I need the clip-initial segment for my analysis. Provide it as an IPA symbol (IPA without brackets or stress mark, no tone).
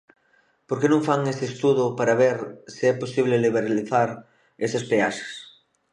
p